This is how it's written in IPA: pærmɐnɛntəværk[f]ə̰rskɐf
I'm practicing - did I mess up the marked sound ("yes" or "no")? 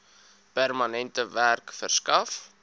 no